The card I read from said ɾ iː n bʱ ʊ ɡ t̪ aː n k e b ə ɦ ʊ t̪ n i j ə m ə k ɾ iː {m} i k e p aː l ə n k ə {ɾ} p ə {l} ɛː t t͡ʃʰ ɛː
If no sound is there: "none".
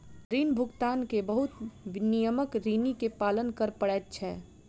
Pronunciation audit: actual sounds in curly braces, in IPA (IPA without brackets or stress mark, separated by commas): n, ɾ, ɽ